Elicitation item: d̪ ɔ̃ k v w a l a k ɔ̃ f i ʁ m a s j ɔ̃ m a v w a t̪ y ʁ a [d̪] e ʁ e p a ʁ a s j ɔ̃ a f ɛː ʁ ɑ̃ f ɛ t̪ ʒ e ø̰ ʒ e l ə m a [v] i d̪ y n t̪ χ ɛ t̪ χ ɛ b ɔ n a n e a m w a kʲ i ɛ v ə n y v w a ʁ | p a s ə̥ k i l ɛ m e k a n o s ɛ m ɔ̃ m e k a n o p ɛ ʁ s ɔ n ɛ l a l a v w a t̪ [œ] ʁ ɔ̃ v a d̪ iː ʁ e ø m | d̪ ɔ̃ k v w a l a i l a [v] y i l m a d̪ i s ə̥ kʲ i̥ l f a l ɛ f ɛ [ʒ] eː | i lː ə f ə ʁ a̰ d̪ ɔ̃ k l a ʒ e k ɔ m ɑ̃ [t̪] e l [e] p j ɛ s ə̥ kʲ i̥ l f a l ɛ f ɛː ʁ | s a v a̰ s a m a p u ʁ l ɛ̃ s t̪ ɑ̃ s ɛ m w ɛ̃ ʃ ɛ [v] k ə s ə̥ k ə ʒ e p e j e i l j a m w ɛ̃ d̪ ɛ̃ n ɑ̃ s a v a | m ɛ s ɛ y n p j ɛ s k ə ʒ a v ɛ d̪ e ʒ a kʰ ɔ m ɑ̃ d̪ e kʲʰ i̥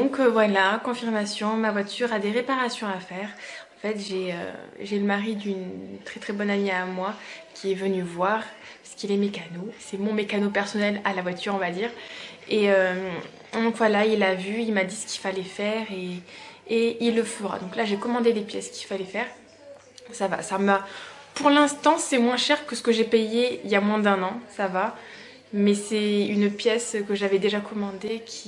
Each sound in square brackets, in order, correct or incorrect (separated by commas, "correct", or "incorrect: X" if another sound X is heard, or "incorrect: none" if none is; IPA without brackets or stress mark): correct, incorrect: ʁ, incorrect: y, correct, incorrect: ʁ, incorrect: d̪, correct, incorrect: ʁ